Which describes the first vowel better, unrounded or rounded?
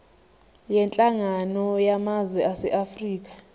unrounded